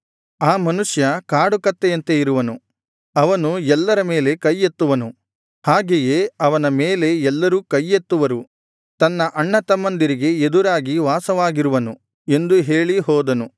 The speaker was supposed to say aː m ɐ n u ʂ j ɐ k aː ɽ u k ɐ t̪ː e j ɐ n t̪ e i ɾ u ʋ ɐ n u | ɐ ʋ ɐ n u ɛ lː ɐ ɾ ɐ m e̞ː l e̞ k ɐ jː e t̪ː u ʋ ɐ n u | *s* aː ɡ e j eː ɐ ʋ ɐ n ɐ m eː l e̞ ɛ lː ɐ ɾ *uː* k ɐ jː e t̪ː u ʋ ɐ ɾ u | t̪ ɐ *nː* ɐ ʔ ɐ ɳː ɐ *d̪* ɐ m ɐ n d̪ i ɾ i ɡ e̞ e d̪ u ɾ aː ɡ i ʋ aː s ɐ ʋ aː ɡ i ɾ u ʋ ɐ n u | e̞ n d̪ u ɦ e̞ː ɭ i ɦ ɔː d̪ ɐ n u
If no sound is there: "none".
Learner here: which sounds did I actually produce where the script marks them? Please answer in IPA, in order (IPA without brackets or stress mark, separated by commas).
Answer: h, uː, nː, t̪